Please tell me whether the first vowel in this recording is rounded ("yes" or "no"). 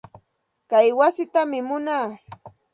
no